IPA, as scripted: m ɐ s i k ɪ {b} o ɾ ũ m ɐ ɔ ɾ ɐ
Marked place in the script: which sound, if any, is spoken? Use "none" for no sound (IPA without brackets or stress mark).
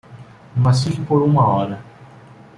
p